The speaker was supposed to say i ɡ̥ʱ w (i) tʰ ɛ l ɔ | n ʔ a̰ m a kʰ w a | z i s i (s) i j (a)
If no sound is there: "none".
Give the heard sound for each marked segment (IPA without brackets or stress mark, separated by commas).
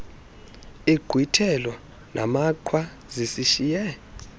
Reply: i, ʃ, ɛ